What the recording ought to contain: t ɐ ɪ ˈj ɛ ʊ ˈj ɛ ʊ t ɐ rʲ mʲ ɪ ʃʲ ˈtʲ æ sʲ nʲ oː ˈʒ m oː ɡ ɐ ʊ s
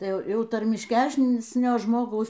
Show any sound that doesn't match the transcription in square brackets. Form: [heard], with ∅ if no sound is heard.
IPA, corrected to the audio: t ɐ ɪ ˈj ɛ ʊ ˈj ɛ ʊ t ɐ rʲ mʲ ɪ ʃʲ [ˈkʲ] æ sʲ nʲ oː ˈʒ m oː ɡ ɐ ʊ s